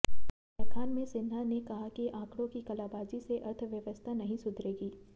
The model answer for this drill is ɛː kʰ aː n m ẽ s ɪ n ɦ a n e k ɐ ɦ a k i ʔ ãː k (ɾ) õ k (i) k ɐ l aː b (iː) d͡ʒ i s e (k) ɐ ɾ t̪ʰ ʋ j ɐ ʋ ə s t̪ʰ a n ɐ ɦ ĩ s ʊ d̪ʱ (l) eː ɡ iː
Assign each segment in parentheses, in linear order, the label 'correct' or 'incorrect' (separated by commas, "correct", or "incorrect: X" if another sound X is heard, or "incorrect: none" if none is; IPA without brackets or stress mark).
incorrect: ɽ, correct, incorrect: aː, incorrect: ʔ, incorrect: ɾ